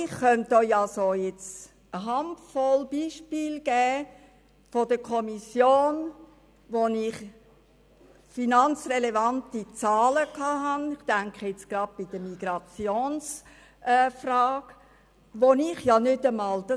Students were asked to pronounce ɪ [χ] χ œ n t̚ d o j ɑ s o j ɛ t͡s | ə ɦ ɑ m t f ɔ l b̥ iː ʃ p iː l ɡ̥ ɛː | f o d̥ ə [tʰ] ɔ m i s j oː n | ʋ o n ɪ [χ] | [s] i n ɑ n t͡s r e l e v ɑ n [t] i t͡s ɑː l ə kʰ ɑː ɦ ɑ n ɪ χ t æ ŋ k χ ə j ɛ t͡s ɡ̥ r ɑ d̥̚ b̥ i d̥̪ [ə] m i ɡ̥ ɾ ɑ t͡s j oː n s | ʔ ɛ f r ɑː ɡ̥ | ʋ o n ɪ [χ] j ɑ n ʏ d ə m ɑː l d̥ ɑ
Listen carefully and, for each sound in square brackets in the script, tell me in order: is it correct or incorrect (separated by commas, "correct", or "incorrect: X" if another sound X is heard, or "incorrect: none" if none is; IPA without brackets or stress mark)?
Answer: correct, incorrect: kʰ, correct, incorrect: f, correct, correct, correct